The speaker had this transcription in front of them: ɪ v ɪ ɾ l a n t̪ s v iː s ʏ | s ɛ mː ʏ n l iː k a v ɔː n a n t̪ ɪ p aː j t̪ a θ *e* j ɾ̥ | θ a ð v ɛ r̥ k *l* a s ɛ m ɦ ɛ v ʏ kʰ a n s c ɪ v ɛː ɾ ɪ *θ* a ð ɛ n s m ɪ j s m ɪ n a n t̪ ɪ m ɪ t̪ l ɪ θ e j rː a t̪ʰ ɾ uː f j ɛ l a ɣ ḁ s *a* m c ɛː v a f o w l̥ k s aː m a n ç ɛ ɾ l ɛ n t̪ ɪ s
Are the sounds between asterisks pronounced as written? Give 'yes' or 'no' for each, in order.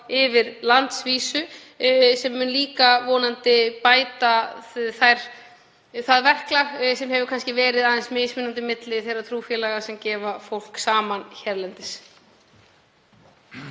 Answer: no, yes, no, no

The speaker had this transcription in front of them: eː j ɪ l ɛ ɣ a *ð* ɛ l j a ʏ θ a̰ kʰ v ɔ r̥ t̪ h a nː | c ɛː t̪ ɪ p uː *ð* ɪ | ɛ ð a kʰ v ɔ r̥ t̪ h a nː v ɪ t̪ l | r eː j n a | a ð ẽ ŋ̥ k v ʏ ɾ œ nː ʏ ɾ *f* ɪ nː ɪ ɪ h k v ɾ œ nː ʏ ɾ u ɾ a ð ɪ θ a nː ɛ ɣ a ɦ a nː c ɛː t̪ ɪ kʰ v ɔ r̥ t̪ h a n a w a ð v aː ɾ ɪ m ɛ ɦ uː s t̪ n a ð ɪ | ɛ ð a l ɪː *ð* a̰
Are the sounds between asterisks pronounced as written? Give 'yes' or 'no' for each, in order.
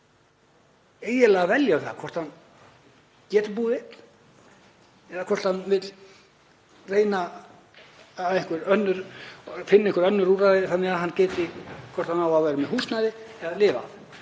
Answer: no, yes, yes, no

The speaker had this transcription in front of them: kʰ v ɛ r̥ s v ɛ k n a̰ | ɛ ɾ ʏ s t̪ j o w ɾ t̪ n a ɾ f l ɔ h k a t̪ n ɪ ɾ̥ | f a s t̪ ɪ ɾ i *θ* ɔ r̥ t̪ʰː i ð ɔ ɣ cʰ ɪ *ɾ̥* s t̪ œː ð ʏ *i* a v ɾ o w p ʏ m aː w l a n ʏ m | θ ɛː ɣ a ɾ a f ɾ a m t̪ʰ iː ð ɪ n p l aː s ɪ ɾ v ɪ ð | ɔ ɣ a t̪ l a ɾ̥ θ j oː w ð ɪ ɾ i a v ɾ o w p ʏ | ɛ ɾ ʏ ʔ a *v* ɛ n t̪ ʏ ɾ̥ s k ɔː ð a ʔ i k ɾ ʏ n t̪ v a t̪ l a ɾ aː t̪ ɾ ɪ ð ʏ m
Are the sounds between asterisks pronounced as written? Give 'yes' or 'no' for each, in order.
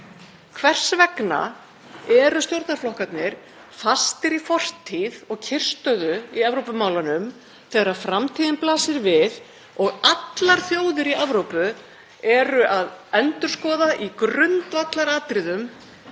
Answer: no, no, yes, no

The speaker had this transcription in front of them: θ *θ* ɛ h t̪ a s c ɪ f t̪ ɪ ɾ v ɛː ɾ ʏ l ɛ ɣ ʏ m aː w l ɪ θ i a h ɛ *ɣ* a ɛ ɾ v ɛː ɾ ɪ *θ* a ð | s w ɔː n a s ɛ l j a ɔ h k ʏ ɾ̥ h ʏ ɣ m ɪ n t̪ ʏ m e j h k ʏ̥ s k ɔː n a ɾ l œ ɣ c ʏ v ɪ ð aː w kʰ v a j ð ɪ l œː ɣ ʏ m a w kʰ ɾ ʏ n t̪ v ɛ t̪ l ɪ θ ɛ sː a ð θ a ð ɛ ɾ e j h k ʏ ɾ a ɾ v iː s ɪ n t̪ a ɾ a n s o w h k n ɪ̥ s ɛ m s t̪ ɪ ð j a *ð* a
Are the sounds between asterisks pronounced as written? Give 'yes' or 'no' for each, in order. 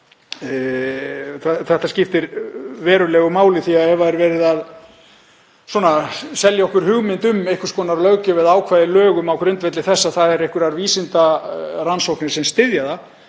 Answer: yes, no, no, yes

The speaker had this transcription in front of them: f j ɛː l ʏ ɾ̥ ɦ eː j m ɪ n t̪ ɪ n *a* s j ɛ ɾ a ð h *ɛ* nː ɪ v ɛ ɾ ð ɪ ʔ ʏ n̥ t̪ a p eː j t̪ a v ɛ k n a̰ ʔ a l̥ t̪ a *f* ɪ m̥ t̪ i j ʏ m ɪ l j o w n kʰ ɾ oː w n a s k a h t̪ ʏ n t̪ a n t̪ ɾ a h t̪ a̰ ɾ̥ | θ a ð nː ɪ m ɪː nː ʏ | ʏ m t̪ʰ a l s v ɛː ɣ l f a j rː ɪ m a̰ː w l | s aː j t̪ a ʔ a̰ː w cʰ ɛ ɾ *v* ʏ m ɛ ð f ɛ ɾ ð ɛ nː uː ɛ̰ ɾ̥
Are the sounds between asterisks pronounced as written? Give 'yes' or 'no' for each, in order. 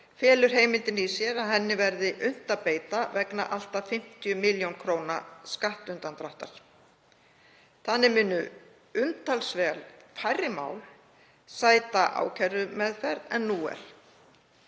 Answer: no, yes, yes, no

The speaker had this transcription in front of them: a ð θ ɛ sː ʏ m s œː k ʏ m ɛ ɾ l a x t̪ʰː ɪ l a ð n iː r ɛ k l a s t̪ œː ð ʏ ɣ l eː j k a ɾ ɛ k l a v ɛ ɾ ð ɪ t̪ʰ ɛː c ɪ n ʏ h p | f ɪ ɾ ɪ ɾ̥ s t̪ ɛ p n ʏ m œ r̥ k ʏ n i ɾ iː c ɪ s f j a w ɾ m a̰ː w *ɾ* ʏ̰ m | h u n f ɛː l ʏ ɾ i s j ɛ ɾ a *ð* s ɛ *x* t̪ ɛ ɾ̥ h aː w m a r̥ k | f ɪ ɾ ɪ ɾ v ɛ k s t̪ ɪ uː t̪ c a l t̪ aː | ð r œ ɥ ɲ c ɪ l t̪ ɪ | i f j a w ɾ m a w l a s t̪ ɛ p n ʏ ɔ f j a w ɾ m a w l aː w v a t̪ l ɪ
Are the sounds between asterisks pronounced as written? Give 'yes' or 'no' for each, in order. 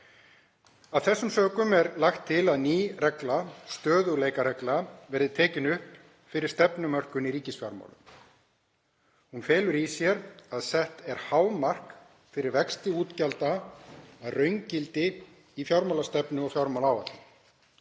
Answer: no, yes, no

